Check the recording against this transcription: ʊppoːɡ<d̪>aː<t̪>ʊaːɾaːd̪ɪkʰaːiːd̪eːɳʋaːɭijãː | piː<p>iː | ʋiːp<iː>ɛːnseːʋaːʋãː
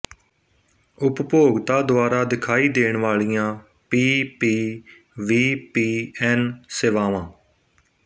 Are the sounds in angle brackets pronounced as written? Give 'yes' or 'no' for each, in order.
no, no, yes, yes

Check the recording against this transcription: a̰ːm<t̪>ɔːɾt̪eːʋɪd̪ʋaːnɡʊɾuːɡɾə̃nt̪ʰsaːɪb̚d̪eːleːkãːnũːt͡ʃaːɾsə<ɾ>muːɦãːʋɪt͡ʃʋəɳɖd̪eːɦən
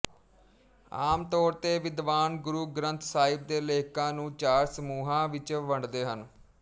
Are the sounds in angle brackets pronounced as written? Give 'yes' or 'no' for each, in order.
yes, no

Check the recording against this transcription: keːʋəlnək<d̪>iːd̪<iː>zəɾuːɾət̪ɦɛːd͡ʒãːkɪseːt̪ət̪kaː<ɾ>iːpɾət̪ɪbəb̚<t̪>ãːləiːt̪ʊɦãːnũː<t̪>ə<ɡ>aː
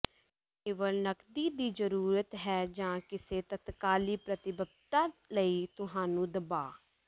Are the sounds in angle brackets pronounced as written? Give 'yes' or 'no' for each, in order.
yes, yes, no, yes, no, no

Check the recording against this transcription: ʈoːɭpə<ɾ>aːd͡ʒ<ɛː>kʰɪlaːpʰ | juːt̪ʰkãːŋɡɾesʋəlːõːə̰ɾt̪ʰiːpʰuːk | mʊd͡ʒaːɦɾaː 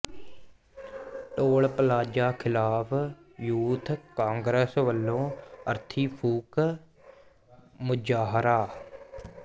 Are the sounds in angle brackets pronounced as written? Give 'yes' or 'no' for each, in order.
no, no

